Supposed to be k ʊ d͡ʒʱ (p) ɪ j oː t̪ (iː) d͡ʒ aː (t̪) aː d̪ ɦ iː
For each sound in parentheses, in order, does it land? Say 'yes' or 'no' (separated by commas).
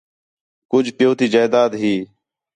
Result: yes, yes, no